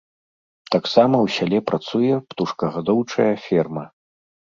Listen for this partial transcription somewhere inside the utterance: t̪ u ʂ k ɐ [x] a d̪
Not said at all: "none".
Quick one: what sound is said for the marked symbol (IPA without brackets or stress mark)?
ɣ